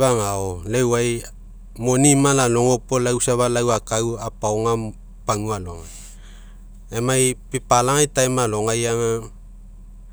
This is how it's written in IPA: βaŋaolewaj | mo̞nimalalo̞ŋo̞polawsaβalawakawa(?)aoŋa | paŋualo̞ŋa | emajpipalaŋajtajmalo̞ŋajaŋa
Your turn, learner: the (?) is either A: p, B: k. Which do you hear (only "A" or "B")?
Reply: A